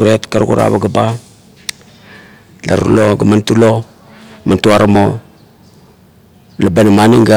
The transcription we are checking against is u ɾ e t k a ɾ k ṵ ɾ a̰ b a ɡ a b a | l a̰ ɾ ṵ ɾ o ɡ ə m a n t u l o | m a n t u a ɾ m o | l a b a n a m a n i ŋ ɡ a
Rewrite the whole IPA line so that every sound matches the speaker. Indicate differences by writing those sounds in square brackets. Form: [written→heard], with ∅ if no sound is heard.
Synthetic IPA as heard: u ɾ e t k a ɾ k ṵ ɾ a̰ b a ɡ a b a | l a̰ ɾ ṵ [ɾ→l] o ɡ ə m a n t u l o | m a n t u a ɾ m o | l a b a n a m a n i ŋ ɡ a